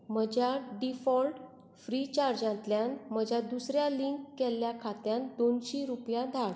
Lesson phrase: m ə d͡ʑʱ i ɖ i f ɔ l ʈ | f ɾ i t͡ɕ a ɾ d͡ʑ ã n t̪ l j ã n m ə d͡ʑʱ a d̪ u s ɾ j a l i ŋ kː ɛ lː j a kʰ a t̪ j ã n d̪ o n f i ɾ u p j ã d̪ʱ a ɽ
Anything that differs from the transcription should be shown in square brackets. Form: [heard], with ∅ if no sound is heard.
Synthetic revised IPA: m ə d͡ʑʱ [a] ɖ i f ɔ l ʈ | f ɾ i t͡ɕ a ɾ d͡ʑ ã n t̪ l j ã n m ə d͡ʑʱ a d̪ u s ɾ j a l i ŋ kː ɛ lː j a kʰ a t̪ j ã n d̪ o n [ɕ] i ɾ u p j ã d̪ʱ a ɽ